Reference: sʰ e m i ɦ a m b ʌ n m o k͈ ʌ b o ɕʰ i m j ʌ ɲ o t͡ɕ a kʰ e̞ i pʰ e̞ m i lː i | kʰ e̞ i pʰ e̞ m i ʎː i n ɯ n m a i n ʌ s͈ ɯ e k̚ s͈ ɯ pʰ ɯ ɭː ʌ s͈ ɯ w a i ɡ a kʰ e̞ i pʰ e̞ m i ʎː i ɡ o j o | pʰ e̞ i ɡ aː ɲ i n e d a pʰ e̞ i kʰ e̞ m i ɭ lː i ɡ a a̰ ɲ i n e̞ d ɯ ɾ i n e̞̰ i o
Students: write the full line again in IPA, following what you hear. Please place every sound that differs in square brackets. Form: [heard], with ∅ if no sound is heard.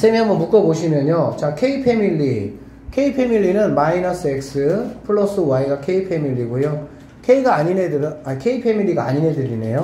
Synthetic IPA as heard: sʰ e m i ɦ a m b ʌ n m [u] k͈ ʌ b o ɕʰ i m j ʌ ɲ o t͡ɕ a kʰ e̞ i pʰ e̞ m i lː i | kʰ e̞ i pʰ e̞ m i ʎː i n ɯ n m a i n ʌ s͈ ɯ e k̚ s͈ ɯ pʰ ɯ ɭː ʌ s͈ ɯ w a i ɡ a kʰ e̞ i pʰ e̞ m i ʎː i ɡ o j o | [kʰ] e̞ i ɡ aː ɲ i n e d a [kʰ] e̞ i [pʰ] e̞ m i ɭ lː i ɡ a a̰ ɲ i n e̞ d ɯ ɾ i n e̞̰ [j] o